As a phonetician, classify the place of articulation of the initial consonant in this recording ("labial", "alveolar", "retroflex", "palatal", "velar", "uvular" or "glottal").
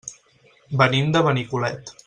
labial